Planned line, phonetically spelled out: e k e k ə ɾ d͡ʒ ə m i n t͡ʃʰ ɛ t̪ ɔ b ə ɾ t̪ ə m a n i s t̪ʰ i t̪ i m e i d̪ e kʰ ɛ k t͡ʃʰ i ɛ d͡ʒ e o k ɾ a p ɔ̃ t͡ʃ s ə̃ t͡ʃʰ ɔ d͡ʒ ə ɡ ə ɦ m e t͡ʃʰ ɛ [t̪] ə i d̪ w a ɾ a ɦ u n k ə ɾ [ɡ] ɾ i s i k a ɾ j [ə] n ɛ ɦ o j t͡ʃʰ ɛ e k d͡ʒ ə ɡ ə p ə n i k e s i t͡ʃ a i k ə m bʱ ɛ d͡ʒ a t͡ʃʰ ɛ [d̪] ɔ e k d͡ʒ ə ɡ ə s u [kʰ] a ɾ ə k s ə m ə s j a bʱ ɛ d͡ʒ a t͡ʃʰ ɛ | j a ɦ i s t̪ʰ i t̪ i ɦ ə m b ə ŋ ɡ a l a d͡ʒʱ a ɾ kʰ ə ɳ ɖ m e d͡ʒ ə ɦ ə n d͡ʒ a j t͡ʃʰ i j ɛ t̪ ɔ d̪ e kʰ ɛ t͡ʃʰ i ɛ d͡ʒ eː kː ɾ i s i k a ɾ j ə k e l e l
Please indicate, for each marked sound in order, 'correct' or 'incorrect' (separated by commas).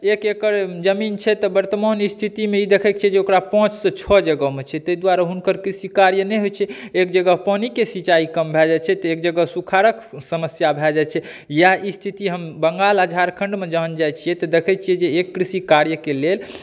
correct, incorrect, correct, incorrect, correct